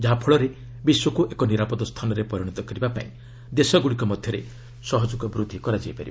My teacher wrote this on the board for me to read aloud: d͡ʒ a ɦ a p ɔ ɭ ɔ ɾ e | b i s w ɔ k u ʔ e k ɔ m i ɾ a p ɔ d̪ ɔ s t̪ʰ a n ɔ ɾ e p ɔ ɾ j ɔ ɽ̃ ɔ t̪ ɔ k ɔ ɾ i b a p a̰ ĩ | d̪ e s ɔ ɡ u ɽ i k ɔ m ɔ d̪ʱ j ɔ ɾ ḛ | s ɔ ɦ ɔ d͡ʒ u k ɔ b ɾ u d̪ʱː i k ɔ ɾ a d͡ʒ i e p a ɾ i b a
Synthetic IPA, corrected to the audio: d͡ʒ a ɦ a pʰ ɔ ɭ ɔ ɾ e | b i s w ɔ k u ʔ e k ɔ n i ɾ a p ɔ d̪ ɔ s t̪ʰ a n ɔ ɾ e p ɔ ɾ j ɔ ɽ̃ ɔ t̪ ɔ k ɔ ɾ i b a p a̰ ĩ | d̪ e s ɔ ɡ u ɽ i k ɔ m ɔ d̪ʱ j ɔ ɾ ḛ | s ɔ ɦ ɔ d͡ʒ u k ɔ b ɾ u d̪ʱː i k ɔ ɾ a d͡ʒ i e p a ɾ i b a